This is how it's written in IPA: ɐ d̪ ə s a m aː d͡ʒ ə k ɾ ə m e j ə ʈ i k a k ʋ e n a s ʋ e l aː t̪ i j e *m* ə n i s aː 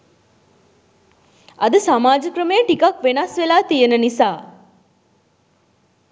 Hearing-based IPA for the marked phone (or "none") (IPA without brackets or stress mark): n